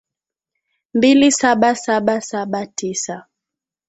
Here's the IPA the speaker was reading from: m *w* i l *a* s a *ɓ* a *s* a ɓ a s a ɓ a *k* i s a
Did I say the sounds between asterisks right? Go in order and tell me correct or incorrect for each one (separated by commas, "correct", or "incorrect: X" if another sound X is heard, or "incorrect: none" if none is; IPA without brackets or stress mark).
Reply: incorrect: b, incorrect: i, correct, correct, incorrect: t